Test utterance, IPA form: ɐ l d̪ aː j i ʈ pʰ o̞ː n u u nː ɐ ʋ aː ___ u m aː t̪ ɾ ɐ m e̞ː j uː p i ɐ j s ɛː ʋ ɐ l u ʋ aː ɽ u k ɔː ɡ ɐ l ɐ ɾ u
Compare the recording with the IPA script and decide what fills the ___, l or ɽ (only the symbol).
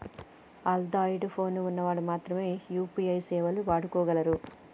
ɽ